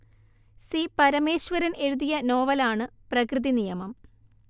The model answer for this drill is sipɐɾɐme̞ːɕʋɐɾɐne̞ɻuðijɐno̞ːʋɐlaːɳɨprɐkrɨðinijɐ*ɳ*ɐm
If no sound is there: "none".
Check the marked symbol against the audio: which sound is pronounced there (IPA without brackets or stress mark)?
m